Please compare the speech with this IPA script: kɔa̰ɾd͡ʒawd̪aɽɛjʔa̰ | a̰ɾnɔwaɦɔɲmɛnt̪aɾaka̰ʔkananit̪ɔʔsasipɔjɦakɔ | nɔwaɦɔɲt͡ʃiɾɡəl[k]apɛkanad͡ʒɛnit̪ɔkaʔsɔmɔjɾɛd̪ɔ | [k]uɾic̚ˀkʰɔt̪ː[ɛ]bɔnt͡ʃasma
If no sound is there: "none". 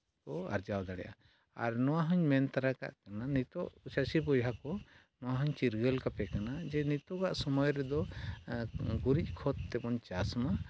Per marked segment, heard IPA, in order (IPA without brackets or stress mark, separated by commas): k, ɡ, ɛ